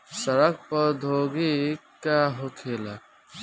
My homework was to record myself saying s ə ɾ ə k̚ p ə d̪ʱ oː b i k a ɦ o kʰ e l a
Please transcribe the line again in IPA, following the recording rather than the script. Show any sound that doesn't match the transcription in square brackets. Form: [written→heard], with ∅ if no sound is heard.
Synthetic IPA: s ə ɾ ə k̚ p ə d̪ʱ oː [b→ɡ] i k a ɦ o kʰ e l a

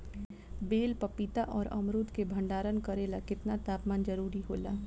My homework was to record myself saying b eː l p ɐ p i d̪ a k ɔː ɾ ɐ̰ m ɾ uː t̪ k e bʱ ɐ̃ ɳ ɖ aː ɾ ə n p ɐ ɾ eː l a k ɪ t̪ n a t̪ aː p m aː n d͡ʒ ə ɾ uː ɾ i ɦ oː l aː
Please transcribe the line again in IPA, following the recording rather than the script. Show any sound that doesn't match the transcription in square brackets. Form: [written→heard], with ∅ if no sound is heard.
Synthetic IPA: b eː l p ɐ p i [d̪→t̪] a [k→ʔ] ɔː ɾ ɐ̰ m ɾ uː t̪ k e bʱ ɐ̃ ɳ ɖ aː ɾ ə n [p→k] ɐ ɾ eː l a k ɪ t̪ n a t̪ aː p m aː n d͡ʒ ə ɾ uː ɾ i ɦ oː l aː

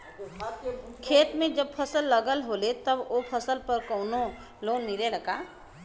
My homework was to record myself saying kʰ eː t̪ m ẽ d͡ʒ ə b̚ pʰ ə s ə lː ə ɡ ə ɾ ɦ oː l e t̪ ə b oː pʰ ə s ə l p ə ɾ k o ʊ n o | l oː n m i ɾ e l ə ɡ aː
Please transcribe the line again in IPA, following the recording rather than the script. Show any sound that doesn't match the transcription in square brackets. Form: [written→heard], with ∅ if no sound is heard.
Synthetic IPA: kʰ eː t̪ m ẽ d͡ʒ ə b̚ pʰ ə s ə lː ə ɡ ə [ɾ→l] ɦ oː l e t̪ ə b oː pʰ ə s ə l p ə ɾ k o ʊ n o | l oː n m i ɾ e l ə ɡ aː

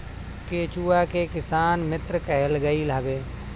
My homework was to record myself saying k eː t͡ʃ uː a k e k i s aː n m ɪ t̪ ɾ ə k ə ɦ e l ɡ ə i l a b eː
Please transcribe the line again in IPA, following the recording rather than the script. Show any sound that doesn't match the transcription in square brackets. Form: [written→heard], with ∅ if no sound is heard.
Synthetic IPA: k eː t͡ʃ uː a k e k [i→ɪ] s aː n m ɪ t̪ ɾ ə k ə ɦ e l ɡ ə i l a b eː

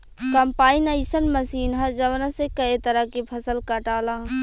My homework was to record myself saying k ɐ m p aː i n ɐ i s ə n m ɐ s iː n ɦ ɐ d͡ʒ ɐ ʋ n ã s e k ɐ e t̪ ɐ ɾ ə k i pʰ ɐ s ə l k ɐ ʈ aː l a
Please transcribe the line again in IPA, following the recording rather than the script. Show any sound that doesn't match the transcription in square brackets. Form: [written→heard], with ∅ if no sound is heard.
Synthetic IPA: k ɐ m p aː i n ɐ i s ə n m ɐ s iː n ɦ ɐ d͡ʒ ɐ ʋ n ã s e k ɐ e t̪ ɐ ɾ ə k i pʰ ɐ s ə l k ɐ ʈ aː l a

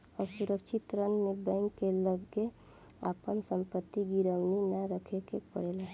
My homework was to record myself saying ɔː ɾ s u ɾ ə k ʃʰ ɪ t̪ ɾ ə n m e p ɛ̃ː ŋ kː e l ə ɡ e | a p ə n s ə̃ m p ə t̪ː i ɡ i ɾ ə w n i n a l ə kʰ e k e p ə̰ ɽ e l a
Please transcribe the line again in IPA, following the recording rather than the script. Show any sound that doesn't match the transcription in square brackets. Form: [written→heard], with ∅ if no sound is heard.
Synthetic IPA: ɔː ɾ s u ɾ ə k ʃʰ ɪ t̪ ɾ ə n m e [p→b] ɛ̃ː ŋ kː e l ə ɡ e | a p ə n s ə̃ m p ə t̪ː i ɡ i ɾ ə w n i n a [l→ɾ] ə kʰ e k e p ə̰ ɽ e l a

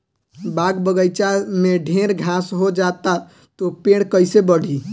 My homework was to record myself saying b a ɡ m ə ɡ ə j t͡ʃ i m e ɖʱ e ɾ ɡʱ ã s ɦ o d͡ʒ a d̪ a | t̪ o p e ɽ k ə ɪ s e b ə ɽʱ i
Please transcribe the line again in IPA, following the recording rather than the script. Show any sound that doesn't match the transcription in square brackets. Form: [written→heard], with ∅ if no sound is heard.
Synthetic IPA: b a ɡ [m→b] ə ɡ ə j t͡ʃ [i→a] m e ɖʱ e ɾ ɡʱ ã s ɦ o d͡ʒ a [d̪→t̪] a | t̪ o p e ɽ k ə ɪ s e b ə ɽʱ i

